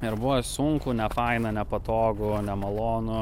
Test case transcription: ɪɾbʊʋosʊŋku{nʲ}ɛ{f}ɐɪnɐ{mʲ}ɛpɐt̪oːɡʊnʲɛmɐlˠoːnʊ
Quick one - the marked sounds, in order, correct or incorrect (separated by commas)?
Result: correct, correct, incorrect